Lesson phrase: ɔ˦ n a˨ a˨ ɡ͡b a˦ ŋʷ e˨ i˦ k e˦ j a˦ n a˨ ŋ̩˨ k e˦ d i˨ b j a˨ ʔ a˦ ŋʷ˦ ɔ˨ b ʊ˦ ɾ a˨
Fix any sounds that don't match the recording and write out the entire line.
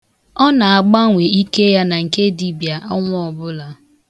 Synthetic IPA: ɔ˦ n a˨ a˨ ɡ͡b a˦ ŋʷ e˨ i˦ k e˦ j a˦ n a˨ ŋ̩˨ k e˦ d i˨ b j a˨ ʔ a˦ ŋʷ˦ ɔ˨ b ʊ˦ l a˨